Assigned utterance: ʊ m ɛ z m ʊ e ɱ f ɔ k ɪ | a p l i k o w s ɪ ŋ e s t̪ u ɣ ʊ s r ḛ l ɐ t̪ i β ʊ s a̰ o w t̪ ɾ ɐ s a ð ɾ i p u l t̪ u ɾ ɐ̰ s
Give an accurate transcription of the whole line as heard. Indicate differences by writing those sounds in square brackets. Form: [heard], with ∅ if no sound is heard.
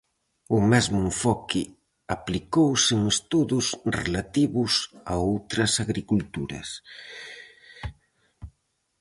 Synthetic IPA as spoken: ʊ m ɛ z m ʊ e ɱ f ɔ k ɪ | a p l i k o w s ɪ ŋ e s t̪ u [ð] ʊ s r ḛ l [a] t̪ i β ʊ s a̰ o w t̪ ɾ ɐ s a [ɣ] ɾ i [k] u l t̪ u ɾ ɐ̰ s